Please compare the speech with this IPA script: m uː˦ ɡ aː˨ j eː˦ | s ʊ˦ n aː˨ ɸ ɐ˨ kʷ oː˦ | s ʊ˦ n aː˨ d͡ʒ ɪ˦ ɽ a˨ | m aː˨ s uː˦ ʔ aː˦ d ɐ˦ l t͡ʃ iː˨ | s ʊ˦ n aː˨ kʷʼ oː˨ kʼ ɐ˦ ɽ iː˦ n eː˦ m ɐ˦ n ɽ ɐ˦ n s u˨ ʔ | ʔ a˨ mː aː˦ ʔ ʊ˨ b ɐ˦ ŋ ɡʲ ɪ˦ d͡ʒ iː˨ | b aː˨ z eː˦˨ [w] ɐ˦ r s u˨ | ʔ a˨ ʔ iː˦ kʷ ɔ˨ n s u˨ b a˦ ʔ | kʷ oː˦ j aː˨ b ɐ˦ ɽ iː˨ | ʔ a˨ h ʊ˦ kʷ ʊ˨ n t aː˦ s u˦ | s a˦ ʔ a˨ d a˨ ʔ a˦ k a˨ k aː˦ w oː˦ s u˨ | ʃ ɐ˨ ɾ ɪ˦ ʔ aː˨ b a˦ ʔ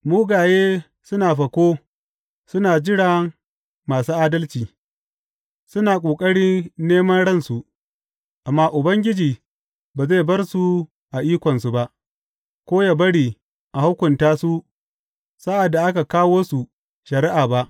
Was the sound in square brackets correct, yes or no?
no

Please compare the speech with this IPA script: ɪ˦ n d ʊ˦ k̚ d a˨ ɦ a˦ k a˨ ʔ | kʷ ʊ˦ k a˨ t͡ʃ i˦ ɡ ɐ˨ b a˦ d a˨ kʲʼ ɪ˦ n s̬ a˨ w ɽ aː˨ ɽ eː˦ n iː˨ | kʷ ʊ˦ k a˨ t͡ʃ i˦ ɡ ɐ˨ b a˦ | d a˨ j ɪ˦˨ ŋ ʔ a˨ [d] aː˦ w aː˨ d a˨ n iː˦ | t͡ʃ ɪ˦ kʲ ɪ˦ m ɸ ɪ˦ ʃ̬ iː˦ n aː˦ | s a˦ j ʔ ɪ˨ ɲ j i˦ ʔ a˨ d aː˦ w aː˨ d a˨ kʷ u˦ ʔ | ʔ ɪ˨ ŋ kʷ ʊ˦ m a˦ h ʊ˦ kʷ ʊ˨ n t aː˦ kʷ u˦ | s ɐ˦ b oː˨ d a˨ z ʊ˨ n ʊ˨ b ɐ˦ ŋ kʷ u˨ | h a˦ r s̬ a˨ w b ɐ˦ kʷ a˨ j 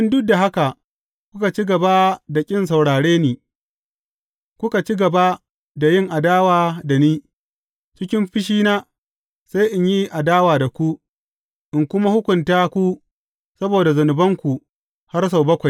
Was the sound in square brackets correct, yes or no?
yes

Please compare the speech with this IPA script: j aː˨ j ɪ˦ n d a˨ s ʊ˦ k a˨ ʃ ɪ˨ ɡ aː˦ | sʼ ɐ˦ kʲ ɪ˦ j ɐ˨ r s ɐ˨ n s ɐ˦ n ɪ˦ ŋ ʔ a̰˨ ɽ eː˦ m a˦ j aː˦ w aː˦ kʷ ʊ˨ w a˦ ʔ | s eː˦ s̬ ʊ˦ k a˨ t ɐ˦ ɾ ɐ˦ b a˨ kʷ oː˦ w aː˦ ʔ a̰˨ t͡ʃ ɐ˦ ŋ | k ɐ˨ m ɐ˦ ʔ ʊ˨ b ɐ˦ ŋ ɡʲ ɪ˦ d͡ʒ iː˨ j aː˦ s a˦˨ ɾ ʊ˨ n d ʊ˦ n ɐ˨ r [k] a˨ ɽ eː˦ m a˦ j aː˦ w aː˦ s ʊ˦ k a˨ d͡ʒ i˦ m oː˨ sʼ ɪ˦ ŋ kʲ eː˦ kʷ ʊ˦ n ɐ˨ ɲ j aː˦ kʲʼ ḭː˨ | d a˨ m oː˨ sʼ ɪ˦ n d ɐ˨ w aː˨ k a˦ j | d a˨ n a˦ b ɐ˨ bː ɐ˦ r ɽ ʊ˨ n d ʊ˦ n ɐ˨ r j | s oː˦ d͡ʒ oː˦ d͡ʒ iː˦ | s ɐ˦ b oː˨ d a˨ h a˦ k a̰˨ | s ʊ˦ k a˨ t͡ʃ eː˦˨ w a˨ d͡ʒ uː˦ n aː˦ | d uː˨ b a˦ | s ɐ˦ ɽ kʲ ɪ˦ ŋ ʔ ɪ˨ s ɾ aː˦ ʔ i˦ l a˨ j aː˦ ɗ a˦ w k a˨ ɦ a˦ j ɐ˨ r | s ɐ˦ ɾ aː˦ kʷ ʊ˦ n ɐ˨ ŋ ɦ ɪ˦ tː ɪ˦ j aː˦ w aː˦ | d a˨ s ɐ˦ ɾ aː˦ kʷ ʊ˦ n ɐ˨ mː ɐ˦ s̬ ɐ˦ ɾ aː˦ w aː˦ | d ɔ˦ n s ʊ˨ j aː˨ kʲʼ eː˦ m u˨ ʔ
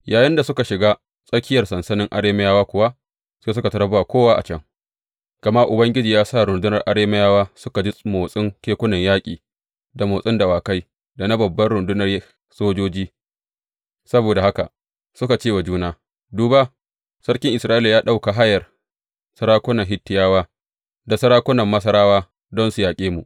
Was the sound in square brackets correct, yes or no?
no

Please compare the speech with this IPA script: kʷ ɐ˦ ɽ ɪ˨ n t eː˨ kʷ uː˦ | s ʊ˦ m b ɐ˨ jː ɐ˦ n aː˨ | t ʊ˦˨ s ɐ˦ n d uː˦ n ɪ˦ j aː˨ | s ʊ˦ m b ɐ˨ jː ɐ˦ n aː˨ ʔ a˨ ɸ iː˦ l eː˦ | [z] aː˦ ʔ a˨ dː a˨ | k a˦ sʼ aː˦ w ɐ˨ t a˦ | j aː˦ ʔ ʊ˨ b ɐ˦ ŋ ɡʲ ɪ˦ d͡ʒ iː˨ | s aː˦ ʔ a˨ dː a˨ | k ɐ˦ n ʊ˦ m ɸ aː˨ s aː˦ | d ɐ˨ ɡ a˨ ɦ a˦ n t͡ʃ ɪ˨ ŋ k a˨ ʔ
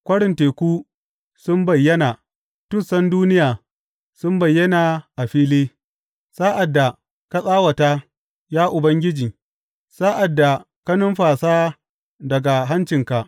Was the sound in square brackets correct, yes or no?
no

